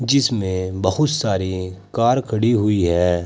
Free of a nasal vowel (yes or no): no